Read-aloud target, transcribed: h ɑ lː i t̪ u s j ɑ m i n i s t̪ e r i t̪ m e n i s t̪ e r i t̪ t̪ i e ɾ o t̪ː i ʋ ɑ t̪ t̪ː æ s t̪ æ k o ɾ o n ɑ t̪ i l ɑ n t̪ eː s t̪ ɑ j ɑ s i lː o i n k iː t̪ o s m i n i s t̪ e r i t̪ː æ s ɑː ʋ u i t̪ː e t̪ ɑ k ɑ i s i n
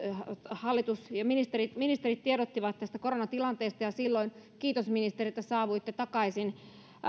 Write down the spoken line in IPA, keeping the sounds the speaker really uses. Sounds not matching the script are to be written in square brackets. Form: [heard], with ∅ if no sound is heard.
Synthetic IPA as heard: h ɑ lː i t̪ u s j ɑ m i n i s t̪ e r i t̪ m [i] n i s t̪ e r i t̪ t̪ i e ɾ o t̪ː i ʋ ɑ t̪ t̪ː æ s t̪ æ k o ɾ o n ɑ t̪ i l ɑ n t̪ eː s t̪ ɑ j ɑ s i lː o i n k iː t̪ o s m i n i s t̪ e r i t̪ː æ s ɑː ʋ u i t̪ː e t̪ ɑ k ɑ i s i n